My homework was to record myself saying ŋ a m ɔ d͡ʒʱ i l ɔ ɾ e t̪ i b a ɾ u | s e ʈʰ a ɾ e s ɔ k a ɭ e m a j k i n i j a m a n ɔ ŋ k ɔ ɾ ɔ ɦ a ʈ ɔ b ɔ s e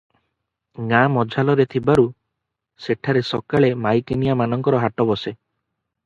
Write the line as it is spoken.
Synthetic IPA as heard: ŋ a m ɔ d͡ʒʱ a l ɔ ɾ e t̪ʰ i b a ɾ u | s e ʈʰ a ɾ e s ɔ k a ɭ e m a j k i n i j a m a n ɔ ŋ k ɔ ɾ ɔ ɦ a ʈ ɔ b ɔ s e